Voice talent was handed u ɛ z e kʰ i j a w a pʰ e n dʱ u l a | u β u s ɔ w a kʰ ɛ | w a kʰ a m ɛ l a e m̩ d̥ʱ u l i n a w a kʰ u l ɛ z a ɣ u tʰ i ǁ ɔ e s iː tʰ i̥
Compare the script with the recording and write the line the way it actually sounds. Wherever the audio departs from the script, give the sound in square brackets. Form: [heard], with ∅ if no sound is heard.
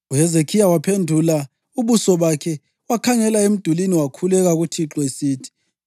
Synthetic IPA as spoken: u ɛ z e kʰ i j a w a pʰ e n dʱ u l a | u β u s ɔ [β] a kʰ ɛ | w a kʰ a [ŋ] ɛ l a e m̩ d̥ʱ u l i n [i] w a kʰ u l ɛ [ɣ] a ɣ u tʰ i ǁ ɔ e s iː tʰ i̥